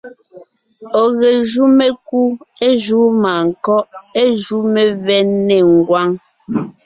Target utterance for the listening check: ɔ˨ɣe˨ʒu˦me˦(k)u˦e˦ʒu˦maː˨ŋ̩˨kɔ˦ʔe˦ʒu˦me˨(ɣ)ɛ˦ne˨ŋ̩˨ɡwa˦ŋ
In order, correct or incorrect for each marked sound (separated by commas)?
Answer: correct, incorrect